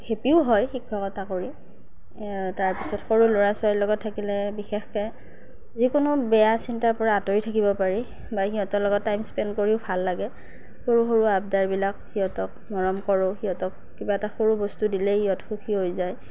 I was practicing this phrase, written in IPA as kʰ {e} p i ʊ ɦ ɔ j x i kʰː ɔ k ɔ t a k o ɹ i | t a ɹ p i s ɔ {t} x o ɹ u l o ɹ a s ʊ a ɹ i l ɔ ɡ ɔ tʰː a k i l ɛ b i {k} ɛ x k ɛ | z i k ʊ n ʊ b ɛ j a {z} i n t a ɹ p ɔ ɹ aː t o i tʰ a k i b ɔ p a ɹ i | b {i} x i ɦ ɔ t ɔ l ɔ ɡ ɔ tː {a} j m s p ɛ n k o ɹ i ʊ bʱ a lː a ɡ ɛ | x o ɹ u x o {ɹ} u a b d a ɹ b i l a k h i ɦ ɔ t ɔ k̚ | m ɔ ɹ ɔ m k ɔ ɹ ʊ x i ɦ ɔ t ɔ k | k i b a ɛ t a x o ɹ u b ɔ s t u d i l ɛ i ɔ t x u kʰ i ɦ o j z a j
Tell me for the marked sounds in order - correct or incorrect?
correct, correct, incorrect, incorrect, incorrect, correct, correct

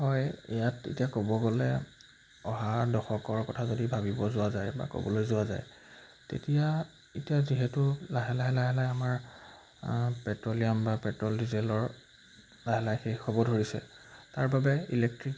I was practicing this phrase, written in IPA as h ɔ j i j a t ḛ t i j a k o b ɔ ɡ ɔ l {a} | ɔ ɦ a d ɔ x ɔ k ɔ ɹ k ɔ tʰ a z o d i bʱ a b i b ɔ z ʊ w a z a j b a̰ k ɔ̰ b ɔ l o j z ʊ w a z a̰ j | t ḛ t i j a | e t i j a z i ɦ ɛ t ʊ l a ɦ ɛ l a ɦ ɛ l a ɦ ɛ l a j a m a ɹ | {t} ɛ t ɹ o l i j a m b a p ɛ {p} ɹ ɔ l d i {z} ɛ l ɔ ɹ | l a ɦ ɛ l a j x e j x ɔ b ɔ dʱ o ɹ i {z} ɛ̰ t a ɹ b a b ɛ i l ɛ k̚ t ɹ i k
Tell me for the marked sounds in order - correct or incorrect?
incorrect, incorrect, incorrect, correct, incorrect

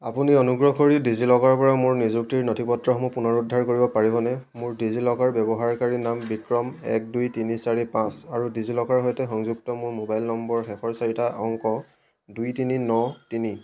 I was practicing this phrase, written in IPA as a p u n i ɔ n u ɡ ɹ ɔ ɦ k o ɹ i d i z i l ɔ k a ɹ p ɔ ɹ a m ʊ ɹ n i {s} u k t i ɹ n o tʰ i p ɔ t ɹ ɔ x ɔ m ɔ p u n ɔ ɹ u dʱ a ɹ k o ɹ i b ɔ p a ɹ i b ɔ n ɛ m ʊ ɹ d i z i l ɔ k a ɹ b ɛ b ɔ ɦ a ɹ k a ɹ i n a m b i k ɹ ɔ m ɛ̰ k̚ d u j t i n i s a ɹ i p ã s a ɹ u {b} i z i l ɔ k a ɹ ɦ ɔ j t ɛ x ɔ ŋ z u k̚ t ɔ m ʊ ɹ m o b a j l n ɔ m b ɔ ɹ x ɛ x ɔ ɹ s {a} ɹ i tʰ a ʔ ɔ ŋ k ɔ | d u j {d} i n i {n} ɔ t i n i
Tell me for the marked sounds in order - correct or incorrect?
incorrect, incorrect, correct, incorrect, correct

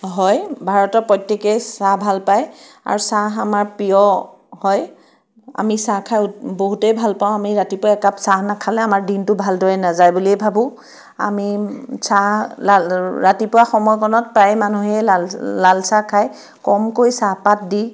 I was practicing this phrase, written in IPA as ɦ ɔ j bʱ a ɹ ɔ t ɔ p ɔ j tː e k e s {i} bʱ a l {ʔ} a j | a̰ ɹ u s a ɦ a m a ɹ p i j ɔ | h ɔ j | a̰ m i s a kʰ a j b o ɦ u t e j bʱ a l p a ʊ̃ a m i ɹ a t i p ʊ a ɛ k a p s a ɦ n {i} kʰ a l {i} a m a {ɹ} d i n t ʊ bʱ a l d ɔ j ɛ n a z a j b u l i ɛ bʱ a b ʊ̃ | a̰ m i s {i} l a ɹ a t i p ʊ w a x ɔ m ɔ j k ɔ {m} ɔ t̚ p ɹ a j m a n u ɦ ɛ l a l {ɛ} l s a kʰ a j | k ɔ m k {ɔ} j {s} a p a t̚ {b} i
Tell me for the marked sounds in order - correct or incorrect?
incorrect, incorrect, incorrect, incorrect, correct, incorrect, incorrect, incorrect, incorrect, correct, incorrect

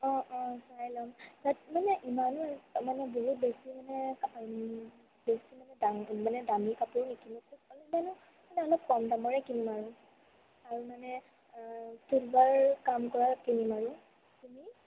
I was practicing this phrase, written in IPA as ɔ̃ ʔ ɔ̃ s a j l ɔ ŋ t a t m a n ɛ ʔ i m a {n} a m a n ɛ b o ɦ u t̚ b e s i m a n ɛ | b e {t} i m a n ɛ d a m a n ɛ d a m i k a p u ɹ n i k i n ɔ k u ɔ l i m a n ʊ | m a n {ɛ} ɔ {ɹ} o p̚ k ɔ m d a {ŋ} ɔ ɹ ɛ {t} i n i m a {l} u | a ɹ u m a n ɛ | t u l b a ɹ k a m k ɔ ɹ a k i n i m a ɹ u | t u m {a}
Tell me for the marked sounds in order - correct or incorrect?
correct, incorrect, correct, incorrect, incorrect, incorrect, incorrect, incorrect

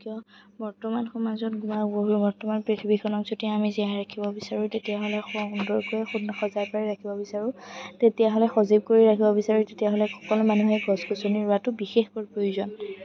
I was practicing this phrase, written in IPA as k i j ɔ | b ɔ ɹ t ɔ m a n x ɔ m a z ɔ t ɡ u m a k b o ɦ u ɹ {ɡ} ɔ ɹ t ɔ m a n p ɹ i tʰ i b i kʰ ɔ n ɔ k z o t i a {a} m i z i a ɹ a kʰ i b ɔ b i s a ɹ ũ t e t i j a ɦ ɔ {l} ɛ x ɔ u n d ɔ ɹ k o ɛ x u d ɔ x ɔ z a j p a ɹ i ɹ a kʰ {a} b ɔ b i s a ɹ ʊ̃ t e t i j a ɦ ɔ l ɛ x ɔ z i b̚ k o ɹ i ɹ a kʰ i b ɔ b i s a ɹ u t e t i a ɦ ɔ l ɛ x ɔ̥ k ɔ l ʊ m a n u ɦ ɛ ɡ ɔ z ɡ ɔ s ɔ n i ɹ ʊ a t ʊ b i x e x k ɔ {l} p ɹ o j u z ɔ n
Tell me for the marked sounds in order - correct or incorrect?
incorrect, correct, correct, incorrect, incorrect

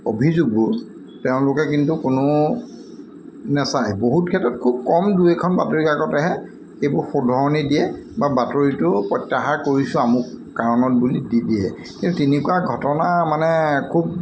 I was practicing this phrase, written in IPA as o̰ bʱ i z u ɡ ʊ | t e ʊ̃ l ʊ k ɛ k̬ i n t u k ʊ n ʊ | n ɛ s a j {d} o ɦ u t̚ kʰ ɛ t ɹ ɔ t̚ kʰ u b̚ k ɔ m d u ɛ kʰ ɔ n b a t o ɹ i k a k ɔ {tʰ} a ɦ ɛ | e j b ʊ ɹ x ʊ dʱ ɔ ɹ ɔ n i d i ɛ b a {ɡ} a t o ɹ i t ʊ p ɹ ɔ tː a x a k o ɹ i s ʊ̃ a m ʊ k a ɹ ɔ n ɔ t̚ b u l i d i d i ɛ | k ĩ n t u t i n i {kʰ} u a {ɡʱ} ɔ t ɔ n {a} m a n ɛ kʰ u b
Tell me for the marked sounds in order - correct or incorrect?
incorrect, incorrect, incorrect, incorrect, correct, correct

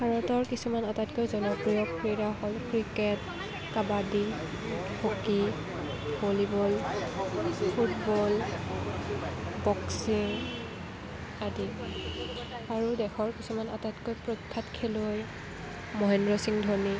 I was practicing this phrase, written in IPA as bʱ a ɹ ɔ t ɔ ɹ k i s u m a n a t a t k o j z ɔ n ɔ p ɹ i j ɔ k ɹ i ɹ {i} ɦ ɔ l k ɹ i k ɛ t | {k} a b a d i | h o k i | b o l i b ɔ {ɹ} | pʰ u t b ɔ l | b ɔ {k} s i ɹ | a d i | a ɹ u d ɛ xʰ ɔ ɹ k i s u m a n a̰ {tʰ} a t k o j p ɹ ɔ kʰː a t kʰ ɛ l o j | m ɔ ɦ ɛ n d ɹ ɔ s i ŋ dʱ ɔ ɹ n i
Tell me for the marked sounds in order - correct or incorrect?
incorrect, correct, incorrect, correct, incorrect

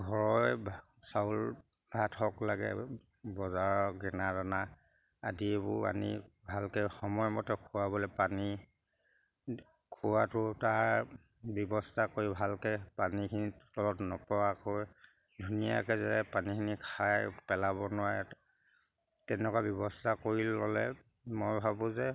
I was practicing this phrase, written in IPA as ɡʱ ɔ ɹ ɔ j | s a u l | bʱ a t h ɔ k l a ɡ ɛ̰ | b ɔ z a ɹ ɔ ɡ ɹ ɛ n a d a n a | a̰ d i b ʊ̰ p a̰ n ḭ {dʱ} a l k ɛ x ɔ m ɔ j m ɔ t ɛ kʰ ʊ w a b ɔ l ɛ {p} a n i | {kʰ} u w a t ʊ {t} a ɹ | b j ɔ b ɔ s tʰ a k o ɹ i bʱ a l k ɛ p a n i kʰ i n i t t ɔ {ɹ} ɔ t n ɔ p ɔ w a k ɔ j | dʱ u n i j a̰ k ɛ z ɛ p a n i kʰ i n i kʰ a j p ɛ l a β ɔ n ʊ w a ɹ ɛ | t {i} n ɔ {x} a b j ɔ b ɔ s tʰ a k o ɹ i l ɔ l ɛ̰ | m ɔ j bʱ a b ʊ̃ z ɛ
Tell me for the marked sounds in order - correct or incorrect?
incorrect, correct, correct, correct, incorrect, incorrect, incorrect

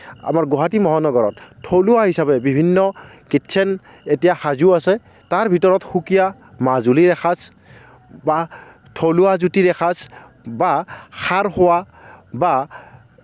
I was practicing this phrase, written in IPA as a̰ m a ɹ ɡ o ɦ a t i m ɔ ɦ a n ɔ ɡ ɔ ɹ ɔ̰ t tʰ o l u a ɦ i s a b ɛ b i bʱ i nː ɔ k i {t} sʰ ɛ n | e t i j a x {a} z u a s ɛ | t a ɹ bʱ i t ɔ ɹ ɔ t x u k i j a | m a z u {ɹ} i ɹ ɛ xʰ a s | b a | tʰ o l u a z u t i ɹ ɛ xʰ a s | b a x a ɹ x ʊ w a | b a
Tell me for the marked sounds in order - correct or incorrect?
correct, correct, incorrect

